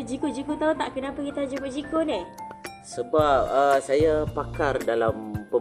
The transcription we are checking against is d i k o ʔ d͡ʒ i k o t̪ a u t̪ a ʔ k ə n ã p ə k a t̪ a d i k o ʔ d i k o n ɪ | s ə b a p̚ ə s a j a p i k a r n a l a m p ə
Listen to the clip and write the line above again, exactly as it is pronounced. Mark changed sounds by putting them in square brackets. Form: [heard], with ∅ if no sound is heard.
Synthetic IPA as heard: [d͡ʒ] i k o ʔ d͡ʒ i k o t̪ a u t̪ a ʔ k ə n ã p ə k [i] t̪ a [d͡ʒ] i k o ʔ [d͡ʒ] i k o n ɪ | s ə b a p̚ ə s a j a p [a] k a r [d] a l a m p ə